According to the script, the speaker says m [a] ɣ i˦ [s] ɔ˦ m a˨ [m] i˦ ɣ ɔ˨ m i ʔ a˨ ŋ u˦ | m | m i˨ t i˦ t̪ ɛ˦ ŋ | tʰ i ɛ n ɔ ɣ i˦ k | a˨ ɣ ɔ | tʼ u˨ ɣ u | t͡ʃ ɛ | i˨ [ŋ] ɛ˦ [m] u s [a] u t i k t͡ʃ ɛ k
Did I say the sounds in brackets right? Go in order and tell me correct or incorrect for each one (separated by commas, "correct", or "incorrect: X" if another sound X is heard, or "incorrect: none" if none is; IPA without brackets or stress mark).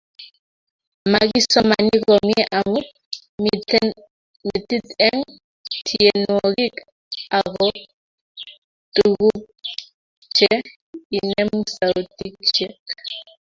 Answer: correct, correct, incorrect: n, incorrect: n, correct, correct